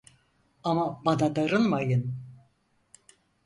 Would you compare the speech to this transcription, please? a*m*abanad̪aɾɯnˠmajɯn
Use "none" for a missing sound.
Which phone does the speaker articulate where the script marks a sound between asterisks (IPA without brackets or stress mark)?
m